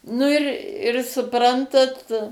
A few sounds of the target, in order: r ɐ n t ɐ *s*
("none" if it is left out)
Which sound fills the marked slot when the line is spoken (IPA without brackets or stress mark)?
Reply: t